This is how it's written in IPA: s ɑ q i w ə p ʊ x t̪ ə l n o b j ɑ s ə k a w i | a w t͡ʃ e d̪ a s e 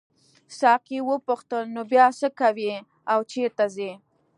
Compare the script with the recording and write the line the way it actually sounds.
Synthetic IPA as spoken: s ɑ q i w ə p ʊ x t̪ ə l n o b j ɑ s ə k a w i | a w t͡ʃ e t̪ a z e